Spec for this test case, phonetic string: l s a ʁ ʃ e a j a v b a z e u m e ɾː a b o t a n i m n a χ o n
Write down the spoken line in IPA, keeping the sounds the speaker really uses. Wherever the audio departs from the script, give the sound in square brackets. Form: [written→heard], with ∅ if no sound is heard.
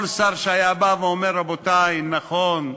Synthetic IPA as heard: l s a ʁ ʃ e a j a [v→∅] b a [z→v] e [u→o] m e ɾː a b o t a [n→∅] i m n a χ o n